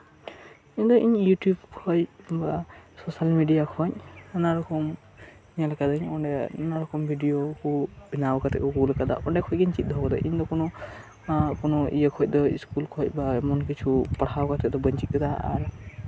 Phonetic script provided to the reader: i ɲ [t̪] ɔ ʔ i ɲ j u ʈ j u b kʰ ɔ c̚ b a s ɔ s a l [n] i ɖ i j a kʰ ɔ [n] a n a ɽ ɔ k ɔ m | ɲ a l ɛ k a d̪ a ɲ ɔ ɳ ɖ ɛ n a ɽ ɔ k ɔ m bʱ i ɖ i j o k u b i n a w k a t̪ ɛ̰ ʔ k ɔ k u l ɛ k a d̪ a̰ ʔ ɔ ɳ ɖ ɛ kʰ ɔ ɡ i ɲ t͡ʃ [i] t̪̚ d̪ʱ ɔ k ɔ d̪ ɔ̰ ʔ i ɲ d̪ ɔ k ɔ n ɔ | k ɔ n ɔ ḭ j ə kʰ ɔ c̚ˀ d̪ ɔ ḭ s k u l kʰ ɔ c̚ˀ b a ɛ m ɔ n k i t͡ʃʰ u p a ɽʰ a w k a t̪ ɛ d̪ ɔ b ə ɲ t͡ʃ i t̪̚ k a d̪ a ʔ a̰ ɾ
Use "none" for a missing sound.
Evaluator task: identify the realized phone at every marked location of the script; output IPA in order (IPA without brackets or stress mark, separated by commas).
d̪, m, ɲ, i